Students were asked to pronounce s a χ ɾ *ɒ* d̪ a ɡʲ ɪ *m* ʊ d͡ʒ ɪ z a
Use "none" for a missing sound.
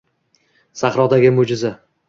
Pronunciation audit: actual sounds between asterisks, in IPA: ɒ, m

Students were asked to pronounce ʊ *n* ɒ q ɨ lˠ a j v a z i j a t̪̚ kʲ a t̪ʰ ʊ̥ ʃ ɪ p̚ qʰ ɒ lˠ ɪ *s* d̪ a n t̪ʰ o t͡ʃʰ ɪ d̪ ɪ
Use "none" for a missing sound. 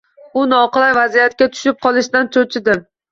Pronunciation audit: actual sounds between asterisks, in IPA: n, ʃ

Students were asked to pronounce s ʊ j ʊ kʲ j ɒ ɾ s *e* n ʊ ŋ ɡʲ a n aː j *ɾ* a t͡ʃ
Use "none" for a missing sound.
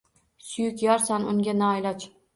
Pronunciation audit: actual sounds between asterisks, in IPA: a, l

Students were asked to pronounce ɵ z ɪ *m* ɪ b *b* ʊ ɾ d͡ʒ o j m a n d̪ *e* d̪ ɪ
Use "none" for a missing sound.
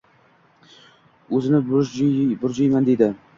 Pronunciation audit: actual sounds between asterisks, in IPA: n, b, e

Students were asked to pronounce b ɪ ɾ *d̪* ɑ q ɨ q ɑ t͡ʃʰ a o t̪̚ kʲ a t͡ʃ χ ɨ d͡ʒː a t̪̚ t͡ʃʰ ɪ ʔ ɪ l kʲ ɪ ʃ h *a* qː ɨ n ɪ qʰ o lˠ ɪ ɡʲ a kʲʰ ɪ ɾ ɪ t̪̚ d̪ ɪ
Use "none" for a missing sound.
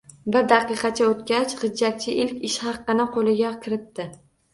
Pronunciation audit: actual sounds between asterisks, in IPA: d̪, ɑ

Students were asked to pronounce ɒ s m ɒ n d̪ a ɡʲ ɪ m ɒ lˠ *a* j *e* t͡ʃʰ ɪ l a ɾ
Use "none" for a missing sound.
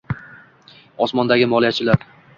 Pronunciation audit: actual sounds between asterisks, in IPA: i, a

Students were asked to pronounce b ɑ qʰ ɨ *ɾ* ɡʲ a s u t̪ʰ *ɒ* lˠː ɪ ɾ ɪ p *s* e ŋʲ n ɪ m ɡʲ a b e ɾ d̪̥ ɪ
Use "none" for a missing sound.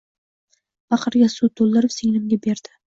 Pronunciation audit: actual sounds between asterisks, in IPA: ɾ, o, s

